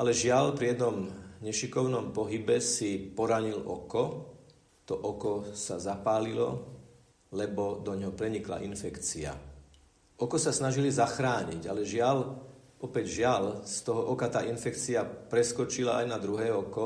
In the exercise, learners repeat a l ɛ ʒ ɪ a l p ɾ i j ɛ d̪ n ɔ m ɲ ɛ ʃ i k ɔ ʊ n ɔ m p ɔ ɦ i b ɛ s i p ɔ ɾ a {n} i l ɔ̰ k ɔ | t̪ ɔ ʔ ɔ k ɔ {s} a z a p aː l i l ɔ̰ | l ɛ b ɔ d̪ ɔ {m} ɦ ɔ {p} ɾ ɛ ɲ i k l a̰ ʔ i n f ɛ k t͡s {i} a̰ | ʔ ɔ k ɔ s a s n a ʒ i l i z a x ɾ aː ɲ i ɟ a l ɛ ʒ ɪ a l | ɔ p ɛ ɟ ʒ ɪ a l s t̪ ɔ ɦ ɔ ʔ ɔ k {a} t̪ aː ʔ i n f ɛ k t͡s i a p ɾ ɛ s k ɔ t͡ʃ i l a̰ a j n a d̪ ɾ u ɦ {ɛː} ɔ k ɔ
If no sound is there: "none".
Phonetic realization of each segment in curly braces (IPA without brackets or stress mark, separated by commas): ɲ, s, ɲ, p, i, a, ɛː